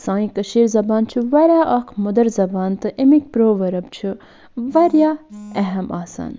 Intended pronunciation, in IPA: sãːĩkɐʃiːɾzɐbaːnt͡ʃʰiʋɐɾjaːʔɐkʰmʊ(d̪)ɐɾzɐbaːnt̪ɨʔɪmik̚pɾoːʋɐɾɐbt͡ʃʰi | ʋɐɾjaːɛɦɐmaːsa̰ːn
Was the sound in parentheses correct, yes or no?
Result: yes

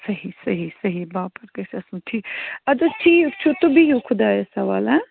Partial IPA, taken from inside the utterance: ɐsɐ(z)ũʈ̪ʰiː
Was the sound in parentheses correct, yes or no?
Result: no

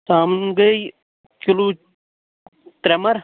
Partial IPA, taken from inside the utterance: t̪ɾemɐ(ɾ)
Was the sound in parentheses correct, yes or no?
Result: yes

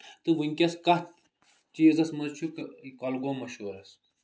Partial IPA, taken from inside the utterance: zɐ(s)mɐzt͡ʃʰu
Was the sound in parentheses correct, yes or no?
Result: yes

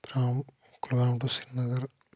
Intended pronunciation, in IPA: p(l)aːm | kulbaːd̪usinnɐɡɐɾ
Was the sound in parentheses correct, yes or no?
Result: no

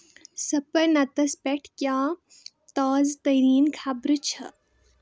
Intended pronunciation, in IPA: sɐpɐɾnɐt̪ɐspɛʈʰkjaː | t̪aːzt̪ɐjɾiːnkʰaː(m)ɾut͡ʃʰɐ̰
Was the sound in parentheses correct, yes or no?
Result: no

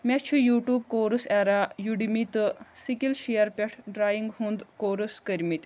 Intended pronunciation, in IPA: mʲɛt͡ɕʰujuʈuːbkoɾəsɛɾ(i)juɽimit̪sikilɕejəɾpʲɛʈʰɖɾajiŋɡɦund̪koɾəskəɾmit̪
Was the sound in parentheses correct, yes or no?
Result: no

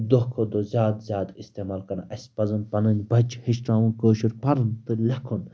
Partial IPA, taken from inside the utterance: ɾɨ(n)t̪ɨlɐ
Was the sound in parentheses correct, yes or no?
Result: yes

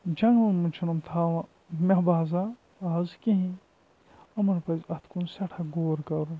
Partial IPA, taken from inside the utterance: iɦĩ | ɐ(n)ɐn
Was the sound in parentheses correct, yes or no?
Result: no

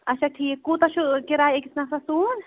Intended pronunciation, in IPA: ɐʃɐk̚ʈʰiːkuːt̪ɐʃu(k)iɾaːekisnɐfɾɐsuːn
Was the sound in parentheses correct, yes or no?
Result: yes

